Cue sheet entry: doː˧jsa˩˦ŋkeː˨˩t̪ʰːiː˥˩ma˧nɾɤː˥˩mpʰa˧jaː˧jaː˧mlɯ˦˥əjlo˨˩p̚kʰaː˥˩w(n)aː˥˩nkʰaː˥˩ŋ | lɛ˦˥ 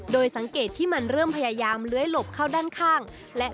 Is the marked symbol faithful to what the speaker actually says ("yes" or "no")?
no